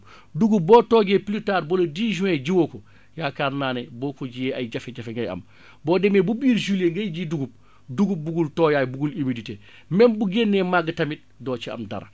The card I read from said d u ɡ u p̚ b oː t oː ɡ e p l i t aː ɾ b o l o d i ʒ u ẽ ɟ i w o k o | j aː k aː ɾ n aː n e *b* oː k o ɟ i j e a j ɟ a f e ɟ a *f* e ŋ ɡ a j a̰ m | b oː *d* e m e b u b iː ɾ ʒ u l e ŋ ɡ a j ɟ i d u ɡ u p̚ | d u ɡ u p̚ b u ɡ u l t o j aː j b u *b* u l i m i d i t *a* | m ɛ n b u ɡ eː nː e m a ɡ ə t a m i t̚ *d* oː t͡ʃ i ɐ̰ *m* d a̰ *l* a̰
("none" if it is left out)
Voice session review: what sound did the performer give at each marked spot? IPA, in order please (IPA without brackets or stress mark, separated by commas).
b, f, d, ɡ, e, d, m, ɾ